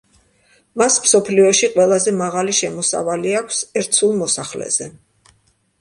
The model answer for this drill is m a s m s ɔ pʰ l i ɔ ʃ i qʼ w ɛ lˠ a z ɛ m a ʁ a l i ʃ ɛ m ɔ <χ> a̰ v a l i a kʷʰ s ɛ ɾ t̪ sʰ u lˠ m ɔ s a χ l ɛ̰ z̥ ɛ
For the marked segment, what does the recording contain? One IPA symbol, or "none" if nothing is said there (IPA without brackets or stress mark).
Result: s